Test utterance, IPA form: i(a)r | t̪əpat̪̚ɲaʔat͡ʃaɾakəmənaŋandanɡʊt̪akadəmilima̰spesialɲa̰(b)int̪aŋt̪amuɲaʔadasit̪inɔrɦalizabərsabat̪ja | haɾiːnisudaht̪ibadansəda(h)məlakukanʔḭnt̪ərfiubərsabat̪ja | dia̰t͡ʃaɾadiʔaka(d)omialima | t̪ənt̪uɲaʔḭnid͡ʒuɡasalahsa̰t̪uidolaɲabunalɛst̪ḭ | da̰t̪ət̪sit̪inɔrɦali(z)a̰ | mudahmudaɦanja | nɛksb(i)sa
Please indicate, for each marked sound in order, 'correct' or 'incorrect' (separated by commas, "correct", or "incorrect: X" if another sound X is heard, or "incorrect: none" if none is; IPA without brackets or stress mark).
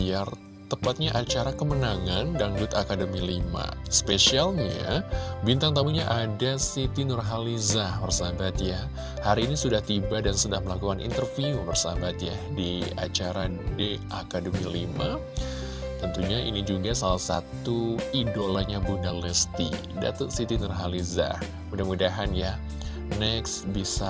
correct, correct, correct, correct, correct, correct